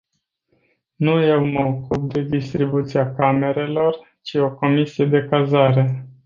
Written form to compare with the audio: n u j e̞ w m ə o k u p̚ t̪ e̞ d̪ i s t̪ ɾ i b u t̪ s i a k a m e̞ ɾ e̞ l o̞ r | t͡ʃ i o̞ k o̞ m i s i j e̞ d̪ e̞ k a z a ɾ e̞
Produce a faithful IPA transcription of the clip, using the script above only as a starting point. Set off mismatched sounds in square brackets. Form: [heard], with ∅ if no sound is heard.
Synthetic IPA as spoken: n u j e̞ w m ə o k u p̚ [d̪] e̞ d̪ i s t̪ ɾ i b u t̪ s i a k a m e̞ ɾ e̞ l o̞ r | t͡ʃ i o̞ k o̞ m i s i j e̞ d̪ e̞ k a z a ɾ e̞